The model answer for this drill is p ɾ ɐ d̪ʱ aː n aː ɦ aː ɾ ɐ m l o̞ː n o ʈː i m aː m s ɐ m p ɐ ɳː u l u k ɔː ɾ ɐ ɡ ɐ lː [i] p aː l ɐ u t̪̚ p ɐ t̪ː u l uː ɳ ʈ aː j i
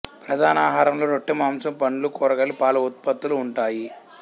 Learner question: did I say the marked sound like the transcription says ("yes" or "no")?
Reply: yes